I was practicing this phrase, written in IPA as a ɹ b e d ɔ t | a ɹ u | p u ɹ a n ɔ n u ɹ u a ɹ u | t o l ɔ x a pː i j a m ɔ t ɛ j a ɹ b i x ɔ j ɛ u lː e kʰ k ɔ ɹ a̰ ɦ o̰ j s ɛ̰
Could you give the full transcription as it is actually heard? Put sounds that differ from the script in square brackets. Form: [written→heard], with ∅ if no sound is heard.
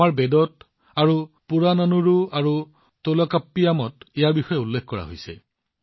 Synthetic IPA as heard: a ɹ b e d ɔ t | a ɹ u | p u ɹ a n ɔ n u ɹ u a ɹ u | t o l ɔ [x→k] a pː i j a m ɔ t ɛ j a ɹ b i x ɔ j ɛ u lː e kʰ k ɔ ɹ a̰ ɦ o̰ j s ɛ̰